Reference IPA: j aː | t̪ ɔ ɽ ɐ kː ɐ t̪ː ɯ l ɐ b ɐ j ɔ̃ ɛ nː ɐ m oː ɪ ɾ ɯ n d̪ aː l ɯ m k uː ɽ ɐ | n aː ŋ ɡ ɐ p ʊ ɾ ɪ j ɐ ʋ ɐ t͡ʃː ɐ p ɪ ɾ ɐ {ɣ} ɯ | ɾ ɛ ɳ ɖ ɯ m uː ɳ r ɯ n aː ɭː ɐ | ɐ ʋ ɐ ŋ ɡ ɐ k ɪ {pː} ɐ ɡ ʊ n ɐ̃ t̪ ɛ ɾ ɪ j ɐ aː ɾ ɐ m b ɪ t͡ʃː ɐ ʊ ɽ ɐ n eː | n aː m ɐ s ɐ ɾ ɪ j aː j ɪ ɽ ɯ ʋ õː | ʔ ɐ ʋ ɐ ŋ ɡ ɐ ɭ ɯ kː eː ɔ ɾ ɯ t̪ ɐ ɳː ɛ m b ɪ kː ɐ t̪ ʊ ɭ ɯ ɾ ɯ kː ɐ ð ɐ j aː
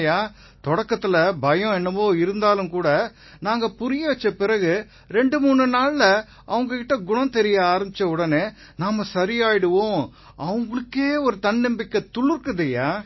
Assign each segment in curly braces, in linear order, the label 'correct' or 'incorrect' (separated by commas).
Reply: correct, incorrect